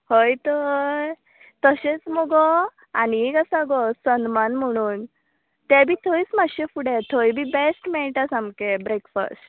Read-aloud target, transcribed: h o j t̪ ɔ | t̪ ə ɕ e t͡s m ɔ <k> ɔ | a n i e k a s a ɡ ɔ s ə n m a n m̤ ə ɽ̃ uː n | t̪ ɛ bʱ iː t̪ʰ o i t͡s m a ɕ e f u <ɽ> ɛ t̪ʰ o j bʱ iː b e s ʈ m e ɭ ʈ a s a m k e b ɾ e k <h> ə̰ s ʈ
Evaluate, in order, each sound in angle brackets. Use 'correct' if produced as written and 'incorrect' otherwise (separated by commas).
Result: incorrect, correct, incorrect